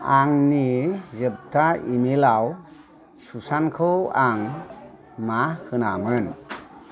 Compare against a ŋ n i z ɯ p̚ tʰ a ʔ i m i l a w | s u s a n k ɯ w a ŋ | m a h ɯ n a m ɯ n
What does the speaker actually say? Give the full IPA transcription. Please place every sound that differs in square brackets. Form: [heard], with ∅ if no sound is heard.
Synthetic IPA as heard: a ŋ n i z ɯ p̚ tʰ a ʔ i m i l a w | s u s a n [kʰ] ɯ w a ŋ | m a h ɯ n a m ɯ n